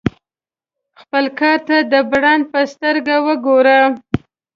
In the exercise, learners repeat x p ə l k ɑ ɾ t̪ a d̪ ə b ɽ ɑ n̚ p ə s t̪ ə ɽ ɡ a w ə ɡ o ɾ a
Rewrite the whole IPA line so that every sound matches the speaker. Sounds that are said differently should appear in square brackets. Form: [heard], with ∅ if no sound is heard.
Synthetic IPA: x p ə l k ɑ ɾ t̪ a d̪ ə b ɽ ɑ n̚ p ə s t̪ ə [ɾ] ɡ a w ə ɡ o ɾ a